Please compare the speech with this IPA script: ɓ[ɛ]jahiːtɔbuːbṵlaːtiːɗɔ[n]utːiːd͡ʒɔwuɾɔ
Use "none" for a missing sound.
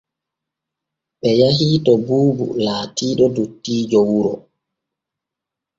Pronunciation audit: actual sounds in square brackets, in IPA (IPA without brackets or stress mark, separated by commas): ɛ, d